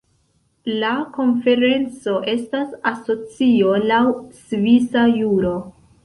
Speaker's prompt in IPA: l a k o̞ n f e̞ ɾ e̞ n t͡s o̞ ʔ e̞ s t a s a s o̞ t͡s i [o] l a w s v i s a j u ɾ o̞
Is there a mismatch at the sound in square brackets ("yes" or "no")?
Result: no